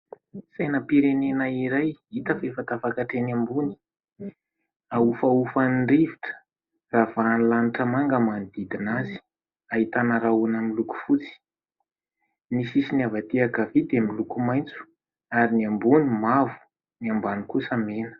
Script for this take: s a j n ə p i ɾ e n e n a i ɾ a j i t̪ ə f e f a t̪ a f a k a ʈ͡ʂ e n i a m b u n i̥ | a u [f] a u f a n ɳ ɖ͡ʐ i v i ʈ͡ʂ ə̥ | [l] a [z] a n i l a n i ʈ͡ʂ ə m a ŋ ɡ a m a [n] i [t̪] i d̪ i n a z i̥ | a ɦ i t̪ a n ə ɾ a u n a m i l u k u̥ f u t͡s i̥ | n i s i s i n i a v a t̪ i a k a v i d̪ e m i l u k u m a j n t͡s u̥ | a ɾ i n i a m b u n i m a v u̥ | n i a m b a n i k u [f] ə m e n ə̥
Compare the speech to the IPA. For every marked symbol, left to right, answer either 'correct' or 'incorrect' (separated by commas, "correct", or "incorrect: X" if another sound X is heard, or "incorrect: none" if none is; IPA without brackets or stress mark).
correct, incorrect: r, incorrect: v, correct, incorrect: d̪, incorrect: s